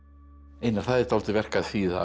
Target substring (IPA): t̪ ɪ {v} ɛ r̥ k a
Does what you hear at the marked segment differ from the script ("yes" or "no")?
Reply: no